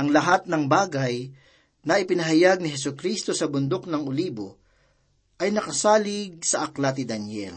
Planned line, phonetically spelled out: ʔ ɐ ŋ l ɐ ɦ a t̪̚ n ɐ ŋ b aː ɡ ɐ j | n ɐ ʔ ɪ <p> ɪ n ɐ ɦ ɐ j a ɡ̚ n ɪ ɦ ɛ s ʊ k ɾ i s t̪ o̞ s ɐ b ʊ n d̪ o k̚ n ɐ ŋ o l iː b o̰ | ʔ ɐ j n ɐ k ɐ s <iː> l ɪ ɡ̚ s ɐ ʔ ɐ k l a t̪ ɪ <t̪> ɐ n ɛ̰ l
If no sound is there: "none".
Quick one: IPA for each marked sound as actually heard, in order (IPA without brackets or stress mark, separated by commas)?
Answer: p, aː, d̪